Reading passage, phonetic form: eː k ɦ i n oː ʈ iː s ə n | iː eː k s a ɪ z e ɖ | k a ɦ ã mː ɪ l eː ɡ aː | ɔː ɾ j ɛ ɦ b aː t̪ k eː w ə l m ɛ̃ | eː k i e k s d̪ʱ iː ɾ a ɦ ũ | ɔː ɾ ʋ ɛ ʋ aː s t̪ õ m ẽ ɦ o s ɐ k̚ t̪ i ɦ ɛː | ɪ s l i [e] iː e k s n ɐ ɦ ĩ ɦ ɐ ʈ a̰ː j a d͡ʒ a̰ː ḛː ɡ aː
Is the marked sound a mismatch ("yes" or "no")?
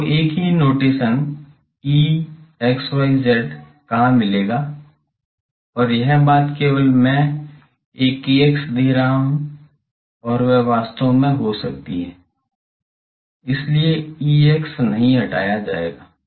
no